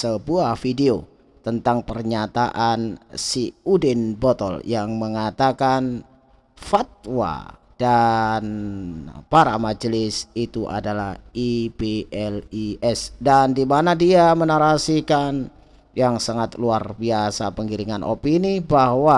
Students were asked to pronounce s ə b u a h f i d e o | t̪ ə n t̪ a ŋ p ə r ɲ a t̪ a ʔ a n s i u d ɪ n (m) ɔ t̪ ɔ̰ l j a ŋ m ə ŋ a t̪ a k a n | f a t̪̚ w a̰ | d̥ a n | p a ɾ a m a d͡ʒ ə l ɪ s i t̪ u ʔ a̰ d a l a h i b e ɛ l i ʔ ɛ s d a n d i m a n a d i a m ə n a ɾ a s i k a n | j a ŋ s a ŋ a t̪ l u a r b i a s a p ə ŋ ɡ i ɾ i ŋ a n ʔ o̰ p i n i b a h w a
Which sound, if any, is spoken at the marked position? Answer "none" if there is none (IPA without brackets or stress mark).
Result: b